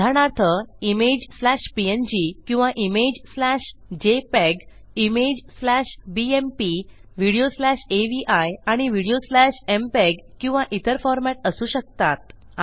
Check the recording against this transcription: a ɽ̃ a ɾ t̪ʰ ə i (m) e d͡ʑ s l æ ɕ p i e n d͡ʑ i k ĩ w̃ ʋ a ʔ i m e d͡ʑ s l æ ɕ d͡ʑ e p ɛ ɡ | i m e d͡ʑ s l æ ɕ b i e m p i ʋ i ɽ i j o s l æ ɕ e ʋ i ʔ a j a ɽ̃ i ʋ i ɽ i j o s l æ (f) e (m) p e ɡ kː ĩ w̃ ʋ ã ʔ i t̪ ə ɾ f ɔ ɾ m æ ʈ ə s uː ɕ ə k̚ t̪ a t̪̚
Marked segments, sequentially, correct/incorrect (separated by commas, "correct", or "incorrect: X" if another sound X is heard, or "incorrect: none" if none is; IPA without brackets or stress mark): correct, incorrect: ɕ, correct